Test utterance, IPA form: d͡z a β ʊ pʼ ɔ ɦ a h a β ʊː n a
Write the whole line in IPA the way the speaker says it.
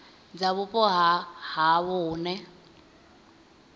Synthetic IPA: d͡z a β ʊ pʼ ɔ ɦ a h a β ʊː n ɛ